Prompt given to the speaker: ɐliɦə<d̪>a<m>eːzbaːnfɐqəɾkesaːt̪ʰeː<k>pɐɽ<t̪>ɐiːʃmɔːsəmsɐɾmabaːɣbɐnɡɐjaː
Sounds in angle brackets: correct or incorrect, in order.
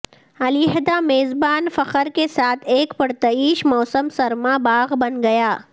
correct, correct, correct, correct

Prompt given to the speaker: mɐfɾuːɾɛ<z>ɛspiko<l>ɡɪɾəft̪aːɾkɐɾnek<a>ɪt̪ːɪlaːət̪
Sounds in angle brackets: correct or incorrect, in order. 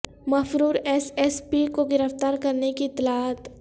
incorrect: s, incorrect: none, incorrect: i

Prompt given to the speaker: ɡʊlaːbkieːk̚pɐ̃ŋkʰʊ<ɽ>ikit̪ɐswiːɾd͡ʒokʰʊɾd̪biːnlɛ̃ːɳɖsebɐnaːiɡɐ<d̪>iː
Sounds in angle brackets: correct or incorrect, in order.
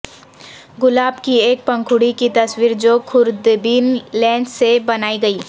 correct, incorrect: none

